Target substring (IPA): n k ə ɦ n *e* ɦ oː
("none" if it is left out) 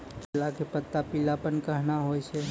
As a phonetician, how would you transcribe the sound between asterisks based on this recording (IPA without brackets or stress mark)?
a